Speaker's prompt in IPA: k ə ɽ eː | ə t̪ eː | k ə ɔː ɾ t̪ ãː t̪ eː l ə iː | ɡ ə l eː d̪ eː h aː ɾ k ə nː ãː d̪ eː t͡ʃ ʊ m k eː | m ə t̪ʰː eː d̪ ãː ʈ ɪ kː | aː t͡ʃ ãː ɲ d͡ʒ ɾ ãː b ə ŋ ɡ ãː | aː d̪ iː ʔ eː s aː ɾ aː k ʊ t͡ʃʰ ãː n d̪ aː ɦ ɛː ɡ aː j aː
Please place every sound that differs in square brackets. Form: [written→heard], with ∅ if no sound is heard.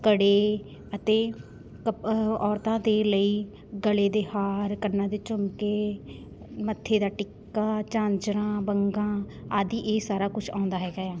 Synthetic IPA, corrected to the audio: k ə ɽ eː | ə t̪ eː | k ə ɔː ɾ t̪ ãː [t̪→d̪] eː l ə iː | ɡ ə l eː d̪ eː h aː ɾ k ə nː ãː d̪ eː t͡ʃ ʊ m k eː | m ə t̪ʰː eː d̪ [ãː→aː] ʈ ɪ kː | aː t͡ʃ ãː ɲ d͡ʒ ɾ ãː b ə ŋ ɡ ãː | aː d̪ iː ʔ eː s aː ɾ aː k ʊ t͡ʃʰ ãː n d̪ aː ɦ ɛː ɡ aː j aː